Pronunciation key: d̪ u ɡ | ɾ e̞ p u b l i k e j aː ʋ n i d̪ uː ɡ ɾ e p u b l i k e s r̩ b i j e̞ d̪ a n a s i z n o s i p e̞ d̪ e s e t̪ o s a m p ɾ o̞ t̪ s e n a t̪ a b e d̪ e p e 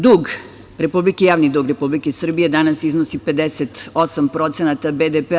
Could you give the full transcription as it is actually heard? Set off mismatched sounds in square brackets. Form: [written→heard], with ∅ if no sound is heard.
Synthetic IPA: d̪ u ɡ | ɾ e̞ p u b l i k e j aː ʋ n i d̪ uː ɡ ɾ e p u b l i k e s r̩ b i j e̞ d̪ a n a s i z n o s i p e̞ d̪ e s e t̪ o s a m p ɾ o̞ t̪ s e n a t̪ a b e d̪ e p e